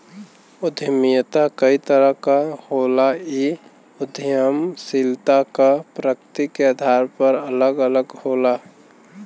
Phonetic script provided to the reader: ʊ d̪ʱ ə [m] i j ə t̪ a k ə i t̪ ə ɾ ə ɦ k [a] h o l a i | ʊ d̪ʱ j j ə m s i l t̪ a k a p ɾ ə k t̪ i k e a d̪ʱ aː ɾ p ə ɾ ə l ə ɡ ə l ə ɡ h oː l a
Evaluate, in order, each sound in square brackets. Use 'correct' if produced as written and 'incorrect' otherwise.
correct, correct

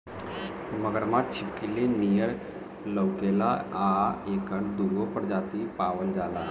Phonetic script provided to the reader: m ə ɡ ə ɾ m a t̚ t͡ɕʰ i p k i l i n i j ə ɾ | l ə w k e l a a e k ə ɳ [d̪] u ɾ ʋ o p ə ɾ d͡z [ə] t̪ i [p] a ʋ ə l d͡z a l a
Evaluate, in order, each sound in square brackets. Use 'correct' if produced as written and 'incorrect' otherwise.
correct, incorrect: a, correct

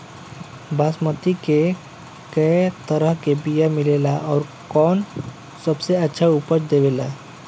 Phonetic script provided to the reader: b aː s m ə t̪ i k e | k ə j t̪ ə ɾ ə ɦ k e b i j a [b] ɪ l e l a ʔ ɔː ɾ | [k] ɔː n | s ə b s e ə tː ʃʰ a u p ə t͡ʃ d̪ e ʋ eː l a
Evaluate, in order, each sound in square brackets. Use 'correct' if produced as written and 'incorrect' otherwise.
incorrect: m, correct

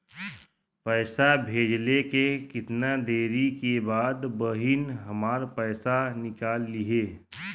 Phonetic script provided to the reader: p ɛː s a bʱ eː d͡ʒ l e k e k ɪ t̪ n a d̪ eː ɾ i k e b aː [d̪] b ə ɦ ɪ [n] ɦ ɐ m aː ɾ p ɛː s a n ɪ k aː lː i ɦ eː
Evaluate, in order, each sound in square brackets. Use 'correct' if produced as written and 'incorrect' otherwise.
correct, correct

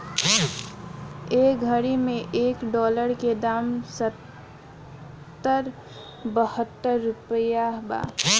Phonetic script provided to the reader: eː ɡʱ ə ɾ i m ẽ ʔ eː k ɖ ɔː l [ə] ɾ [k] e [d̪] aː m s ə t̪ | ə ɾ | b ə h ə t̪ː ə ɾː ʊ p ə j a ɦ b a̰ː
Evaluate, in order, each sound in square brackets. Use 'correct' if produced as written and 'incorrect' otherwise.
correct, correct, correct

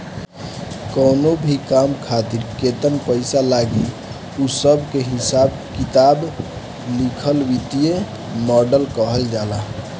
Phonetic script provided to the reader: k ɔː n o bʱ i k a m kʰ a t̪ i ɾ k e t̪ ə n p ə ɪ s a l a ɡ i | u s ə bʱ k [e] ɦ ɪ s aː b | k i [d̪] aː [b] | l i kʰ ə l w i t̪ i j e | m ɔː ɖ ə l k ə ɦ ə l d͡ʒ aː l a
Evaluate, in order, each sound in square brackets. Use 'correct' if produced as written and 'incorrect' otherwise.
correct, incorrect: t̪, correct

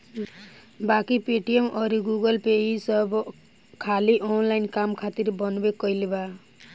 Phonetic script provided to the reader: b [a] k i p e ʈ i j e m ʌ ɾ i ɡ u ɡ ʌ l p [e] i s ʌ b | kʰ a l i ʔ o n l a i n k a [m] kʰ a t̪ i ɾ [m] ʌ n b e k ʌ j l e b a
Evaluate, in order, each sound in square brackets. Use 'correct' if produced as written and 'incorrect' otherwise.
correct, correct, correct, incorrect: b

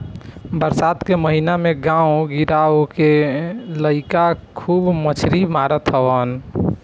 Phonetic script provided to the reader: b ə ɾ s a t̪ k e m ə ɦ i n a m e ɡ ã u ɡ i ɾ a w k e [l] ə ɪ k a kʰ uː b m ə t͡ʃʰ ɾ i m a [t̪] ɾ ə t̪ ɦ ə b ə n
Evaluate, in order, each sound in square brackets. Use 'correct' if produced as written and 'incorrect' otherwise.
correct, incorrect: none

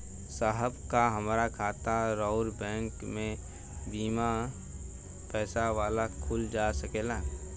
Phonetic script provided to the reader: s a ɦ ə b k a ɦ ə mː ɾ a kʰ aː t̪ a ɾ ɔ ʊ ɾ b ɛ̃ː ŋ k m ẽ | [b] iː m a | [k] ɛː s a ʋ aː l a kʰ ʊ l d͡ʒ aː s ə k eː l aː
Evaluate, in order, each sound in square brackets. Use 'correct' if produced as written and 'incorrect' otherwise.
correct, incorrect: p

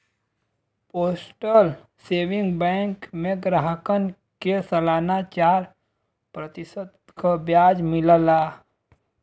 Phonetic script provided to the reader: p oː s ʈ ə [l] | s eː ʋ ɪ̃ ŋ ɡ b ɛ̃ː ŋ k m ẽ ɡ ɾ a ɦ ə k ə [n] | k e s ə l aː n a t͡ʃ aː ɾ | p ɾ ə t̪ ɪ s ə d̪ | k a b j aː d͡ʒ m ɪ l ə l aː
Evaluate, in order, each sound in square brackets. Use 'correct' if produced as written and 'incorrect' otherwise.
correct, correct

